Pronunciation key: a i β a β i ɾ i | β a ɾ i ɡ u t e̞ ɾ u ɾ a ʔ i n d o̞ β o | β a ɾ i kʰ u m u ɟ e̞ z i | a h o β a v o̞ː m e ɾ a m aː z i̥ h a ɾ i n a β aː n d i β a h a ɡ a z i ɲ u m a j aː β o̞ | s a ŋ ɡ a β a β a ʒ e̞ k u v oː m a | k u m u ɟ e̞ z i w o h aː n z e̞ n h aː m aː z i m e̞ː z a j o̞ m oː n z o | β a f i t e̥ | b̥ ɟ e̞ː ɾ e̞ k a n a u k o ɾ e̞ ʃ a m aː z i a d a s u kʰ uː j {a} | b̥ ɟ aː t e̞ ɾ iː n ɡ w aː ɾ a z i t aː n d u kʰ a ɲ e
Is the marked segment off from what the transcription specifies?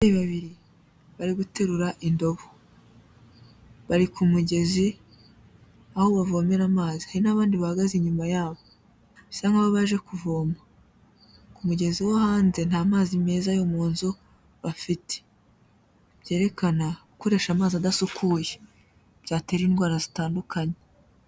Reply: yes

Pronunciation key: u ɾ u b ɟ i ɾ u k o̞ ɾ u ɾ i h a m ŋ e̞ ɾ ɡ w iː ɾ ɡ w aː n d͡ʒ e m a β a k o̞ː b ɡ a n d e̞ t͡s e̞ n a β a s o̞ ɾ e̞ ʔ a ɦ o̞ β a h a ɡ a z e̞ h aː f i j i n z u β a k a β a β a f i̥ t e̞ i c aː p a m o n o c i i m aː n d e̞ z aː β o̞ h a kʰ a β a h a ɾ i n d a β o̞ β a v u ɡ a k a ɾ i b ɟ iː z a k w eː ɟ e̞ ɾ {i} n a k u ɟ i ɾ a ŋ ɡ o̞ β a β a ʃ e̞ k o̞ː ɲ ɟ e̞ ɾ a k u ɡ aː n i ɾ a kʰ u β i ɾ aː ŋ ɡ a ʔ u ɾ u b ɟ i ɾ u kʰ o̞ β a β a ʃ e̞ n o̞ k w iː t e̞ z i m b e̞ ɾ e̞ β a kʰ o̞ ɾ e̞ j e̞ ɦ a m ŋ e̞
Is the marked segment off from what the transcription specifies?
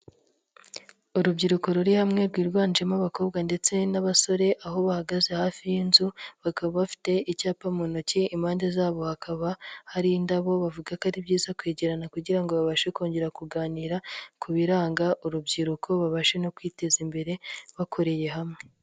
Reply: yes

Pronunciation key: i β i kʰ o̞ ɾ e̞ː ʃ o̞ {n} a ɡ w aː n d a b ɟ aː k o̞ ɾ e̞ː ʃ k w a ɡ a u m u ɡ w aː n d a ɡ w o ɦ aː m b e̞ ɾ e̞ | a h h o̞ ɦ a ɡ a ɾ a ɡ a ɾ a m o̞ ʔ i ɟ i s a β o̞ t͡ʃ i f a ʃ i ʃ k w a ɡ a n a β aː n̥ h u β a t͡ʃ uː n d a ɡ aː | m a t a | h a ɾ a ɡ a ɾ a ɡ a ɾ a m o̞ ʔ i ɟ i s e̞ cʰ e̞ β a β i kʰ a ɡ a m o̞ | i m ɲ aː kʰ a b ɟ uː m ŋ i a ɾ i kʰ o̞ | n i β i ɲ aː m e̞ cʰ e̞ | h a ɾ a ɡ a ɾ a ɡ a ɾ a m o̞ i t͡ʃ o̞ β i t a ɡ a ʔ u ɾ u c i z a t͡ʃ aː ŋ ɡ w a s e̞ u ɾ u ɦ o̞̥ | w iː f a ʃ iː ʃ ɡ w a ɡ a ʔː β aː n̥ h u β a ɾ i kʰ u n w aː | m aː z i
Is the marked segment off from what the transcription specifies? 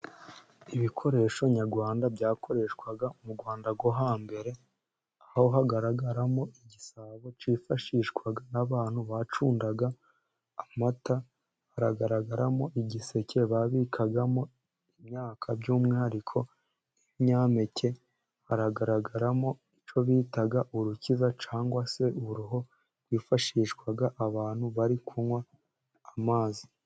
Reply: yes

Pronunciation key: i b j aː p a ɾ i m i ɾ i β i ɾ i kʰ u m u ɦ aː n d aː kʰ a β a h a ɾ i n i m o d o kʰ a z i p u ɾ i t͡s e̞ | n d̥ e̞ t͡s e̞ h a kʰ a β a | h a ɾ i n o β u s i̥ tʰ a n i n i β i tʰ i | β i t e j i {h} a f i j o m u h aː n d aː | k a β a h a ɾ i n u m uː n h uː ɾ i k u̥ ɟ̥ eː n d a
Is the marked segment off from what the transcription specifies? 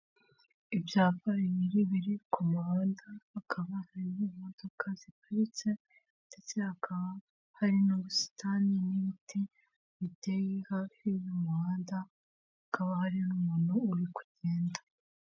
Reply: no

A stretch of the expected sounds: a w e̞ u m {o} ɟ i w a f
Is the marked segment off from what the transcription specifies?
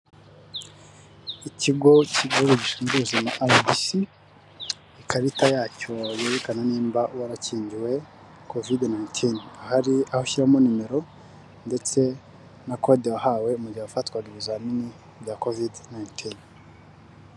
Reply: yes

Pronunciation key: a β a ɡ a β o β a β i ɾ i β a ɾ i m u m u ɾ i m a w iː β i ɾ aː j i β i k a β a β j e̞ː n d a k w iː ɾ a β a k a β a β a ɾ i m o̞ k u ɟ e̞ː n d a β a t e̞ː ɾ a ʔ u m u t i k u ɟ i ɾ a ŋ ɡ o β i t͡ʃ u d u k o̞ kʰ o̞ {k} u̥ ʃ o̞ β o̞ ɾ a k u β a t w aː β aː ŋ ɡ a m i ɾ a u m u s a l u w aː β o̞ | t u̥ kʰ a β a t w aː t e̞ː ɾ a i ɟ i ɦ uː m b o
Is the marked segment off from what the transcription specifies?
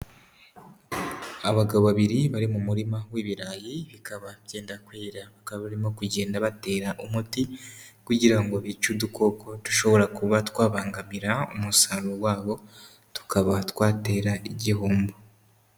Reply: yes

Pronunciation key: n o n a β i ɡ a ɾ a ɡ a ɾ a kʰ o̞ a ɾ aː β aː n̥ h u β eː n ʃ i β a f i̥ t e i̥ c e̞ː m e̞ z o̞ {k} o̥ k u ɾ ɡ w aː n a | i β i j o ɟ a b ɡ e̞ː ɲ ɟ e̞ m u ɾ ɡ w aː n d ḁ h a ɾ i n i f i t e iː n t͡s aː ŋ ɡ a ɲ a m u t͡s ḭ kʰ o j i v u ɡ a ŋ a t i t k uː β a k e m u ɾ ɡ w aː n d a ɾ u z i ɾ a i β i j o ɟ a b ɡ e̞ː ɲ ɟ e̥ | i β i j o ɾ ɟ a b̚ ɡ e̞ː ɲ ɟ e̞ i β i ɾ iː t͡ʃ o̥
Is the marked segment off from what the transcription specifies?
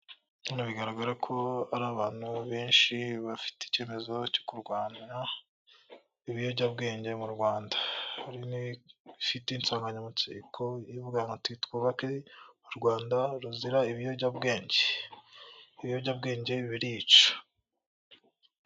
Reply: yes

